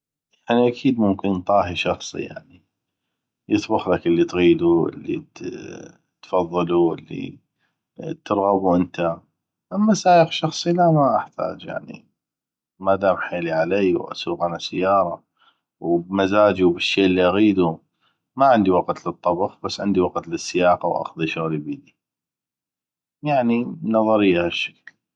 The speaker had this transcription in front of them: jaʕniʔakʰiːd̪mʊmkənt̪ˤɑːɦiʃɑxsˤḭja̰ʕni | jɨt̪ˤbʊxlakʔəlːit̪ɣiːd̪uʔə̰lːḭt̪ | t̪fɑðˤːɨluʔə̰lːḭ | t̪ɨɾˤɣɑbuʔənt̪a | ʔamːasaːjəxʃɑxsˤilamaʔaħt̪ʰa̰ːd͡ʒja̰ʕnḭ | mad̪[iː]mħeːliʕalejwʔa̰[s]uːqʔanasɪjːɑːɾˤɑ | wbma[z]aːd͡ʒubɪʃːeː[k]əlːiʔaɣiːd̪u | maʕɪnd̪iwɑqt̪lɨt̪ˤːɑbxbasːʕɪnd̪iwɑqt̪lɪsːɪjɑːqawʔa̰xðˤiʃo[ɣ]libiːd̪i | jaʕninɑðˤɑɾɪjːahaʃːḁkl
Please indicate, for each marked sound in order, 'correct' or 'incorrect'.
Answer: incorrect, correct, correct, incorrect, correct

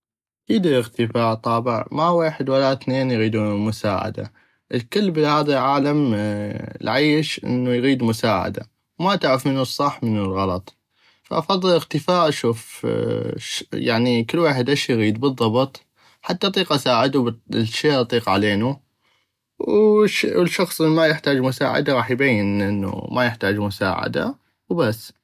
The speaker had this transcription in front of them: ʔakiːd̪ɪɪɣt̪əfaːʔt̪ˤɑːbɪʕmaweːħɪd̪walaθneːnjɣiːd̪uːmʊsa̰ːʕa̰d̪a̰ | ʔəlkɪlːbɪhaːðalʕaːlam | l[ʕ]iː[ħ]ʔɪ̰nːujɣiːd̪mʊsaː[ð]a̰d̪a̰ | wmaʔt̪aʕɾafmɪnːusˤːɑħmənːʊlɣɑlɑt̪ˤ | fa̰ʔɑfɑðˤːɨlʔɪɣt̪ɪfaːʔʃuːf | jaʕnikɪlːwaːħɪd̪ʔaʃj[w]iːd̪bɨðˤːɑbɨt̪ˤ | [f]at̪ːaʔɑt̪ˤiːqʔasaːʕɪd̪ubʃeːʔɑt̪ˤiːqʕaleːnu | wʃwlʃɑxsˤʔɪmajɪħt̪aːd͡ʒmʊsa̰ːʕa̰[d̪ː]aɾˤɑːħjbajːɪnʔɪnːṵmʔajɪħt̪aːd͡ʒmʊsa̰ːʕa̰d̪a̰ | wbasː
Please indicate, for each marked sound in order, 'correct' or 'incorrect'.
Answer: correct, incorrect, incorrect, incorrect, incorrect, incorrect

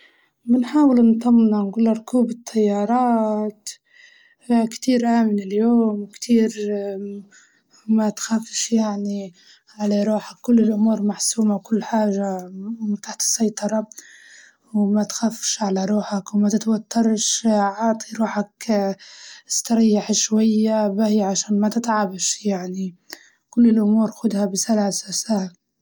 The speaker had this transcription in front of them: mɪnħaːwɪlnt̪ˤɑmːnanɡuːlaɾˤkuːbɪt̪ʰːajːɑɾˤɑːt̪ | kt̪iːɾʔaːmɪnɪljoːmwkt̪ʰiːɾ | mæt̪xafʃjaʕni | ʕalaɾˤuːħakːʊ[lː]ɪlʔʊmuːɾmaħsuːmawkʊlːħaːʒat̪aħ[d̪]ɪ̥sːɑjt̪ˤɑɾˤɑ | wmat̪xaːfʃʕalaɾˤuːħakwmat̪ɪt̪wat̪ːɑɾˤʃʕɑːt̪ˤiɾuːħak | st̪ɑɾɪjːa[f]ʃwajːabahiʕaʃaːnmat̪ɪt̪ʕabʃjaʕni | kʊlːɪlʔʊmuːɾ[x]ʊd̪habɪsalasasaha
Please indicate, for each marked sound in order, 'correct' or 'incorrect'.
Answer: correct, incorrect, incorrect, correct

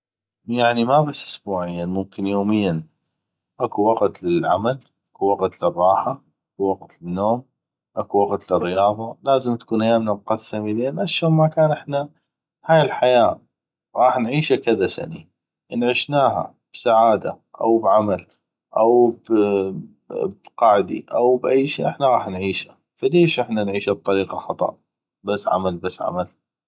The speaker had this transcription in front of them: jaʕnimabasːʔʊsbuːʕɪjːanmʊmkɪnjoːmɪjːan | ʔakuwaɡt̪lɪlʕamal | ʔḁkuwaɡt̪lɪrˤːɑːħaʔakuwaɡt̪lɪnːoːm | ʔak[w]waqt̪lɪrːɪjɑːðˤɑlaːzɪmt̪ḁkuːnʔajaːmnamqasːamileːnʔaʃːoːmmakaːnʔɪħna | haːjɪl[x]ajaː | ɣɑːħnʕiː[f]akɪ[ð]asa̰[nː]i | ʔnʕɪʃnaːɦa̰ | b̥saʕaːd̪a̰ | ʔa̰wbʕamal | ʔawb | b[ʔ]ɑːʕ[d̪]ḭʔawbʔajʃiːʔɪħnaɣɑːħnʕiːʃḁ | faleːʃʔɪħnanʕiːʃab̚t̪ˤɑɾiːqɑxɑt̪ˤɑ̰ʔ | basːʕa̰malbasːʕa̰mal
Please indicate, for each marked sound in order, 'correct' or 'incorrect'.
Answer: incorrect, incorrect, incorrect, correct, incorrect, incorrect, correct

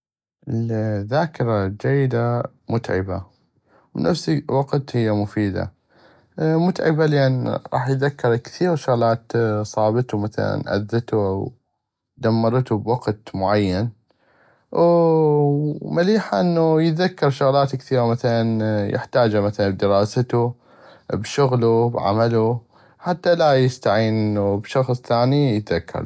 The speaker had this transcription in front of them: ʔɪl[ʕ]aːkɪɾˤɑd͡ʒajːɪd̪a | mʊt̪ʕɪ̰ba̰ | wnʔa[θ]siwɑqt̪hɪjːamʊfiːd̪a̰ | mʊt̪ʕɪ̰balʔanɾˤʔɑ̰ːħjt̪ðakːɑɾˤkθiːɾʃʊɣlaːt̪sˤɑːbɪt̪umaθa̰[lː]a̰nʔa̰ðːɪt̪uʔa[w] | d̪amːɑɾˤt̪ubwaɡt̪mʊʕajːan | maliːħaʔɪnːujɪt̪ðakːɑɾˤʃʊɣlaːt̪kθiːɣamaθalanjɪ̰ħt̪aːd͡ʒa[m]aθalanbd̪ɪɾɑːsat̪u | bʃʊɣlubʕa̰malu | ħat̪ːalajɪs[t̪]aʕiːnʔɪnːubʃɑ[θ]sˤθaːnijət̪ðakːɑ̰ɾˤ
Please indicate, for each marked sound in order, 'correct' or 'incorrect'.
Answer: incorrect, incorrect, incorrect, correct, correct, correct, incorrect

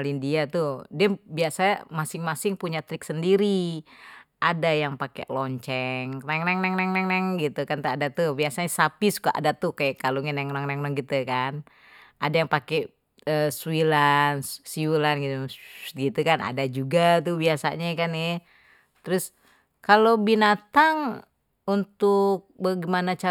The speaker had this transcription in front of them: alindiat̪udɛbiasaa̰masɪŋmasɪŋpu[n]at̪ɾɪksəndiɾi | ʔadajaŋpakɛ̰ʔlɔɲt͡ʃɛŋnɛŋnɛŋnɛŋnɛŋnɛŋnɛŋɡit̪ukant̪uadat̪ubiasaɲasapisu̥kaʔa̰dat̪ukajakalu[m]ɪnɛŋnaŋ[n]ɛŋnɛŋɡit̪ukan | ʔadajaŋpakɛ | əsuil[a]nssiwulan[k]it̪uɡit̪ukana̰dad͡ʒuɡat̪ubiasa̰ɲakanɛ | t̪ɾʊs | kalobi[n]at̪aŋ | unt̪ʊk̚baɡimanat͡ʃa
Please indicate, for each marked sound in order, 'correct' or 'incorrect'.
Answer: incorrect, incorrect, correct, correct, incorrect, correct

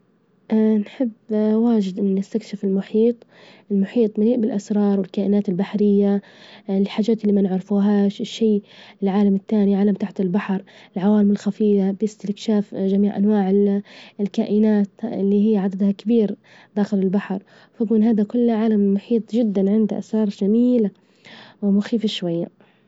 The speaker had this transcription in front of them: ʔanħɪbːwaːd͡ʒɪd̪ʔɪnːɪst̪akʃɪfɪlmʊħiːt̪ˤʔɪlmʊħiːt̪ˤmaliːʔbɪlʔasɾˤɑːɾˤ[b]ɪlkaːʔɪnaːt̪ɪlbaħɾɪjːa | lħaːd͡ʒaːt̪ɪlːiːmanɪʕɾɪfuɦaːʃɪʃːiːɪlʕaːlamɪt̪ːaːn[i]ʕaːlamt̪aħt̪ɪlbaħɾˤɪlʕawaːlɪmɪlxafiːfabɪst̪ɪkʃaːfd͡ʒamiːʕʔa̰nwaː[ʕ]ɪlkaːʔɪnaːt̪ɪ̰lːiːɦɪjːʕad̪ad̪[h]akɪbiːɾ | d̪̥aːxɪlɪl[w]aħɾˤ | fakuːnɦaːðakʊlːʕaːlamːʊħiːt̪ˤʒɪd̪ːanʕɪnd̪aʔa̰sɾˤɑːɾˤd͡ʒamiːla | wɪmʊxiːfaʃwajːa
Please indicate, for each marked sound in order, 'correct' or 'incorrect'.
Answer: incorrect, correct, correct, correct, incorrect

